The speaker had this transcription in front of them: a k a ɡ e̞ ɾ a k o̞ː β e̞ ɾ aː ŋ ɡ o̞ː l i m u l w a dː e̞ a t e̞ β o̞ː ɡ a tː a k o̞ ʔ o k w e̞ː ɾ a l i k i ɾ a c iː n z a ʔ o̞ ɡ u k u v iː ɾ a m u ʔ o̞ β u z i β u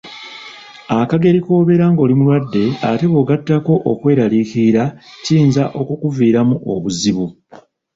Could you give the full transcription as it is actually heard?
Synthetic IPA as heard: a k a ɡ e̞ ɾ i k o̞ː β e̞ ɾ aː ŋ ɡ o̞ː l i m u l w a dː e̞ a t e̞ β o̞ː ɡ a tː a k o̞ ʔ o k w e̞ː ɾ a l i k i ɾ a c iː n z a ʔ o̞ k u k u v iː ɾ a m u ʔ o̞ β u z i β u